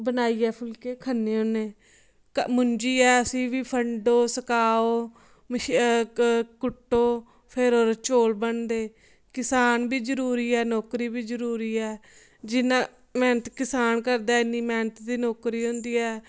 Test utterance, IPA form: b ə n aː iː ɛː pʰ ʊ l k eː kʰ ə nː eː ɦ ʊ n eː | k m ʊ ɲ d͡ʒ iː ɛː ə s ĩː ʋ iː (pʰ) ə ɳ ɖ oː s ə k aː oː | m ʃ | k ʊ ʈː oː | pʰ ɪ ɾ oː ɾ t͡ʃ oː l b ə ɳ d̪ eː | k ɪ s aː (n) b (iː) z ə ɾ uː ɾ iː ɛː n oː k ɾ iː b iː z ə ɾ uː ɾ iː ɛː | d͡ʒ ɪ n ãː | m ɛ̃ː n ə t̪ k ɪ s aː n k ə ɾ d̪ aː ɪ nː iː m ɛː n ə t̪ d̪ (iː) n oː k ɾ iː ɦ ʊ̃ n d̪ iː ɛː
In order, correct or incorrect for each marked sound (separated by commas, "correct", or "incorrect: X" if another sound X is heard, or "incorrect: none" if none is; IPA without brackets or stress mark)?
correct, correct, correct, correct